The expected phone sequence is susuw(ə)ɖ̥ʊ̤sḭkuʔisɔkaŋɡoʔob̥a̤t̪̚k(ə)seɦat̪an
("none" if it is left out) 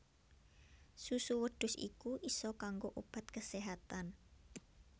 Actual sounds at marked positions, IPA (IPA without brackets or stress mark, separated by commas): ə, ə